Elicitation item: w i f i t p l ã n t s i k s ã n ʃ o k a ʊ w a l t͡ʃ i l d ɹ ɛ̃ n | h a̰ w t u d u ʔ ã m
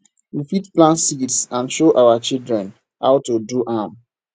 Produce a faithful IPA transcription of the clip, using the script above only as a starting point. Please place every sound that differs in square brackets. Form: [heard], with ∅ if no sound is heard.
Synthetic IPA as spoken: w i f i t p l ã n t s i [t] s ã n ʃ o [ʔ] a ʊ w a [∅] t͡ʃ i l d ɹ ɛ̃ n | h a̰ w t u d u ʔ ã m